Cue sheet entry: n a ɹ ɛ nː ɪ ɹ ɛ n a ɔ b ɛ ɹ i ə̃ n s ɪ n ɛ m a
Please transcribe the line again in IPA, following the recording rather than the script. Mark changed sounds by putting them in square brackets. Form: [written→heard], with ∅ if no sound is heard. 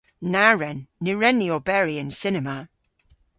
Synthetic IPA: n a ɹ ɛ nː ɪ ɹ ɛ n [a→i] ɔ b ɛ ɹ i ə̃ n s ɪ n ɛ m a